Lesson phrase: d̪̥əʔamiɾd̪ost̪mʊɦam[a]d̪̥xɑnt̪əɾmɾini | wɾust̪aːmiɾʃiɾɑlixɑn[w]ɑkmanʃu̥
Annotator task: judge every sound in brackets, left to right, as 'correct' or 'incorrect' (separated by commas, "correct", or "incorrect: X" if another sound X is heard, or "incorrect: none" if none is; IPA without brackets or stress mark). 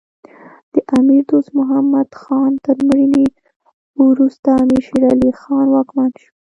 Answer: correct, correct